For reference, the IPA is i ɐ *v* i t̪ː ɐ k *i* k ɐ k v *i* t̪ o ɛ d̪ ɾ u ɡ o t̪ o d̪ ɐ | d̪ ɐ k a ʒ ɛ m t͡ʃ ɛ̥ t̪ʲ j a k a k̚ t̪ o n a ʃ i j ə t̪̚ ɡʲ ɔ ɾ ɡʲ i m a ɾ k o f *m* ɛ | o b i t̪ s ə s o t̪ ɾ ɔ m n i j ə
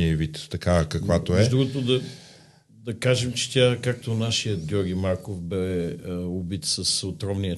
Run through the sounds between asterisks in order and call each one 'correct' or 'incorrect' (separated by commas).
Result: correct, incorrect, incorrect, incorrect